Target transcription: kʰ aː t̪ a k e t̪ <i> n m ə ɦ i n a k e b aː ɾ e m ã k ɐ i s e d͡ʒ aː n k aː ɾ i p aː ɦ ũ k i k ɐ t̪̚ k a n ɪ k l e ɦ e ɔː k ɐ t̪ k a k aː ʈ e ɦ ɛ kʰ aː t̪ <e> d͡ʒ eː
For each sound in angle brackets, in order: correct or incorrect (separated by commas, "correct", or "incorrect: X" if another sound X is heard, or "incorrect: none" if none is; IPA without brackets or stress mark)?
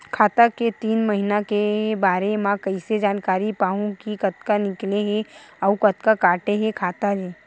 incorrect: iː, incorrect: a